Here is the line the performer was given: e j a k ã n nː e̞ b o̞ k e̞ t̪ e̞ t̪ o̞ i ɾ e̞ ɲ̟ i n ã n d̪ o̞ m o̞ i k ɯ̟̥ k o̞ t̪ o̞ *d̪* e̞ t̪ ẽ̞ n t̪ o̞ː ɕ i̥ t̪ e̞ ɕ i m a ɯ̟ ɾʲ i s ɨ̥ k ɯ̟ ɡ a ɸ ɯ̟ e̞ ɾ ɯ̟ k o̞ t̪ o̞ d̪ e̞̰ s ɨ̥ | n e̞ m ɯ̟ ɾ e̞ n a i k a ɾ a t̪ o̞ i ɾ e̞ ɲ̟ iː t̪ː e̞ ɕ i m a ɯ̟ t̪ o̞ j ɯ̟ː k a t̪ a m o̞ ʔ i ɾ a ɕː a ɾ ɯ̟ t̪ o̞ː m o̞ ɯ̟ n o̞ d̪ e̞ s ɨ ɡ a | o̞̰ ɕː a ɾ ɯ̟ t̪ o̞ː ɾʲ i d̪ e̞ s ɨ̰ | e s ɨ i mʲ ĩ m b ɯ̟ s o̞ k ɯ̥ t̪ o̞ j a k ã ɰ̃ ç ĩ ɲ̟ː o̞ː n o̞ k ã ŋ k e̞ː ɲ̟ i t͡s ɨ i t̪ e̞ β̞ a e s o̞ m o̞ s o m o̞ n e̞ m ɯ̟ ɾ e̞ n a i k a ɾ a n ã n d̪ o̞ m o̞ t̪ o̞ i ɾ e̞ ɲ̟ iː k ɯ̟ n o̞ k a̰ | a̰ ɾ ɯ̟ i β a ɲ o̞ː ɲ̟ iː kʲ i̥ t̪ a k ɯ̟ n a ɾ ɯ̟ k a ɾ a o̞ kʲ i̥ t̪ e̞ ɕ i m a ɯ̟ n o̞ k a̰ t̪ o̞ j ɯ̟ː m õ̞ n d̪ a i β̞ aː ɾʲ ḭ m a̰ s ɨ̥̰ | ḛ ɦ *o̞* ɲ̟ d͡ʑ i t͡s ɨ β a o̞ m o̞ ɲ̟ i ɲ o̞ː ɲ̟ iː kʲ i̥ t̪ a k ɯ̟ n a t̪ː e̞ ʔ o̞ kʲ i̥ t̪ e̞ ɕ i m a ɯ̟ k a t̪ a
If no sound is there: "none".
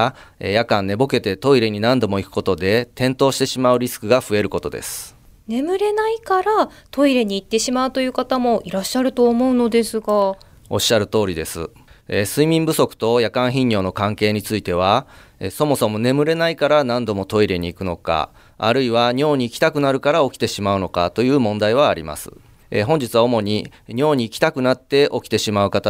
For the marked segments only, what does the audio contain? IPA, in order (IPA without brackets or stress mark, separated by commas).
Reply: d̪, õ̞